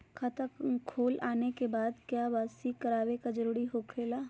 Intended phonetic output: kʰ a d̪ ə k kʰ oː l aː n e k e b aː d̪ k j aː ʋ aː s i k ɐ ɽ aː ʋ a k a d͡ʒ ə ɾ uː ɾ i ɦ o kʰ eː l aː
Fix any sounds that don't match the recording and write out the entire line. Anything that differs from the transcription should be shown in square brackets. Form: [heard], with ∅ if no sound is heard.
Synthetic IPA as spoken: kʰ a [t̪] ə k kʰ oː l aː n e k e b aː d̪ k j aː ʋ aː s i k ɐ [ɾ] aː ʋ [e] k a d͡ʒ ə ɾ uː ɾ i ɦ o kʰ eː l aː